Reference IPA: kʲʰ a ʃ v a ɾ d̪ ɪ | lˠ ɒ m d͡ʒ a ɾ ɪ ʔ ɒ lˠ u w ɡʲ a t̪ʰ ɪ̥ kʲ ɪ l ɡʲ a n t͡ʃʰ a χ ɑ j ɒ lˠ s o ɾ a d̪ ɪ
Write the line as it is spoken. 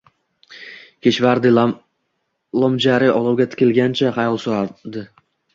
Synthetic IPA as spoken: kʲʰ e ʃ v a ɾ d̪ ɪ | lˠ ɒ m d͡ʒ a ɾ ɪ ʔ ɒ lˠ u w ɡʲ a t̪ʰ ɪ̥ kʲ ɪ l ɡʲ a n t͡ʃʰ a χ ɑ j ɒ lˠ s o ɾ a d̪ ɪ

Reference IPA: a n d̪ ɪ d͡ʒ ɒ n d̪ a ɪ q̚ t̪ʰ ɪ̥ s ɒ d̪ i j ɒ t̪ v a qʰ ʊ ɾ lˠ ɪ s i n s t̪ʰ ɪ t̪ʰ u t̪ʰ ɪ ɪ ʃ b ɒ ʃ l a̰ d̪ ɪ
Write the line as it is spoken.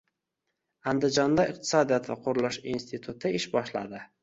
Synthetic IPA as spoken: a n d̪ ɪ d͡ʒ ɒ n d̪ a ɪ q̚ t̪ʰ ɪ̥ s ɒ d̪ i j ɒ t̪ v a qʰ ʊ ɾ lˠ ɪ ʃ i n s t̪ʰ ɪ t̪ʰ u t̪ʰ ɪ ɪ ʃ b ɒ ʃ l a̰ d̪ ɪ

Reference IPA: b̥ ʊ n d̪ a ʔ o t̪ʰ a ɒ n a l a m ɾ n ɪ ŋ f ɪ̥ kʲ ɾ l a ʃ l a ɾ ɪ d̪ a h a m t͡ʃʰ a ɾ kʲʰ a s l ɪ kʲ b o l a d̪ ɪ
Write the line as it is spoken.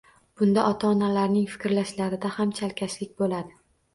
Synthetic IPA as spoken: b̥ ʊ n d̪ a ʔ ɒ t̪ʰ a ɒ n a l a ɾ n ɪ ŋ f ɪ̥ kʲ ɾ l a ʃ l a ɾ ɪ d̪ a h a m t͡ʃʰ a l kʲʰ a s l ɪ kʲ b o l a d̪ ɪ

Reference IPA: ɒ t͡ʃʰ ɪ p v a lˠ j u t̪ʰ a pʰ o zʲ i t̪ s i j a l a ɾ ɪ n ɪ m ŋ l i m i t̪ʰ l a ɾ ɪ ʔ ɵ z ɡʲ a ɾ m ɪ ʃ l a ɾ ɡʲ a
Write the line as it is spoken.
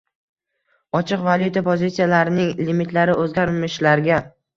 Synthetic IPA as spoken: ɒ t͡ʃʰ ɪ q v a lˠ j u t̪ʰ a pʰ o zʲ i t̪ s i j a l a ɾ ɪ n ɪ ŋ l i m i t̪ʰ l a ɾ ɪ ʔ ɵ z ɡʲ a ɾ m ɪ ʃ l a ɾ ɡʲ a

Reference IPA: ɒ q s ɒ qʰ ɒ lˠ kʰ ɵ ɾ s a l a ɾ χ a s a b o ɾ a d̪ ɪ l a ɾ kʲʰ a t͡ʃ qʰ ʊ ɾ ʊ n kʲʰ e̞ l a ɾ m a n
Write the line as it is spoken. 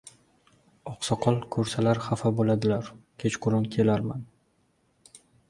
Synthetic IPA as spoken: ɒ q s ɒ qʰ ɒ lˠ kʰ ɵ ɾ s a l a ɾ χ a f a b o l a d̪ ɪ l a ɾ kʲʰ e t͡ʃ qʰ ʊ ɾ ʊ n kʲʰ e̞ l a ɾ m a n

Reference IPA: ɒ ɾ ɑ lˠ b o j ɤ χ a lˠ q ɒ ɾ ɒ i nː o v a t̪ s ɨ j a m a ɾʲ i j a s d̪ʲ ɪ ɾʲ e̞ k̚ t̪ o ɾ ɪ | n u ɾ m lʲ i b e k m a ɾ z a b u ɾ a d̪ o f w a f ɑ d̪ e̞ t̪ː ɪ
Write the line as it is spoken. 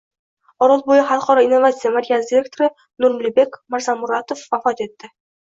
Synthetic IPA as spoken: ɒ ɾ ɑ lˠ b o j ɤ χ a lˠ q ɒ ɾ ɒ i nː o v a t̪ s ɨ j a m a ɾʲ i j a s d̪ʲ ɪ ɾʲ e̞ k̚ t̪ o ɾ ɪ | n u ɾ m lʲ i b e k m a ɾ z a m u ɾ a t̪ o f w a f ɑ t̪ e̞ t̪ː ɪ

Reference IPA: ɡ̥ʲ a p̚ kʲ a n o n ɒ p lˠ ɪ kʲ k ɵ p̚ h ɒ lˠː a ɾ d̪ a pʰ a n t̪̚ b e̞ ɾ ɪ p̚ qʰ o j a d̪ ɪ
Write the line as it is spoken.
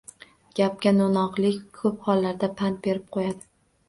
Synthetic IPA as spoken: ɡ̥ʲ a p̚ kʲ a n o n ɒ q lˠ ɪ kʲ kʰ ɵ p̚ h ɒ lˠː a ɾ d̪ a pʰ a n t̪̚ b e̞ ɾ ɪ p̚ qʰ o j a d̪ ɪ

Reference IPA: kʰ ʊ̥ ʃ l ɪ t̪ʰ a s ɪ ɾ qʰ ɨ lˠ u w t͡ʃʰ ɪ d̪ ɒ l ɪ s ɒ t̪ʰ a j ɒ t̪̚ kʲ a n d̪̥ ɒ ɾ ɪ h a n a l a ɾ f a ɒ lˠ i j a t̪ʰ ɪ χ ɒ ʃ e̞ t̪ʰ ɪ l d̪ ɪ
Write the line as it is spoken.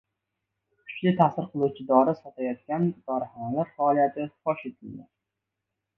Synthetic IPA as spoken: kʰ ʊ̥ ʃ l ɪ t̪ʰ a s ɪ ɾ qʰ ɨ lˠ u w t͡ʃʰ ɪ d̪ ɒ ɾ ɪ s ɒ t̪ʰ a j ɒ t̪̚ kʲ a n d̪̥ ɒ ɾ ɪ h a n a l a ɾ f a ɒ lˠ i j a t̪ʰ ɪ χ ɒ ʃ e̞ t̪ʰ ɪ l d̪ ɪ

